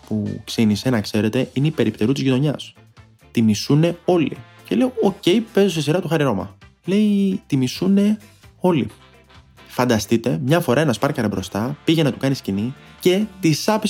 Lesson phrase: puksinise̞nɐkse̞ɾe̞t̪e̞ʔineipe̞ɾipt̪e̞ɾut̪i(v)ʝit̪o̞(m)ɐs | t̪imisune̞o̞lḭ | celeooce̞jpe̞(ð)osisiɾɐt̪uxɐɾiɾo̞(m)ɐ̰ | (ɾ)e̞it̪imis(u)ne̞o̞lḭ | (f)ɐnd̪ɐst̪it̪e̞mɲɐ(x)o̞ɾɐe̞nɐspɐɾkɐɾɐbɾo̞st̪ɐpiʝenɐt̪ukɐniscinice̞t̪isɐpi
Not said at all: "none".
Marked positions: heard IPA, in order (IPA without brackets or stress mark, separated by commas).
z, ɲ, z, m, l, u, f, f